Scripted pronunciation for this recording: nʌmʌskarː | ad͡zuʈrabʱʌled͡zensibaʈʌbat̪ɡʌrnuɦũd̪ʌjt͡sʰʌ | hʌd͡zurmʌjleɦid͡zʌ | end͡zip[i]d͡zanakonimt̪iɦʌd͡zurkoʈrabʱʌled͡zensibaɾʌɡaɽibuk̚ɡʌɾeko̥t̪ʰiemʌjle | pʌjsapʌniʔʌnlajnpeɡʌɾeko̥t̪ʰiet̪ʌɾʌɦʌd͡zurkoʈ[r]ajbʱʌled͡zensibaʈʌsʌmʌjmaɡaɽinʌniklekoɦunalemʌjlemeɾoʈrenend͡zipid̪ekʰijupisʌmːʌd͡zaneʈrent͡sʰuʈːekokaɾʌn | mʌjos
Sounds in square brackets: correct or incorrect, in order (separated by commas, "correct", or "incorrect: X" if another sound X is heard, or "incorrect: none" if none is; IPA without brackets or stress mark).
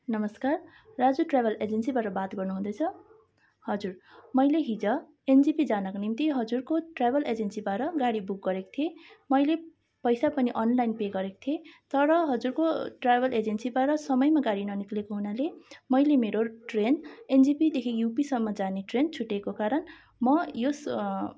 correct, correct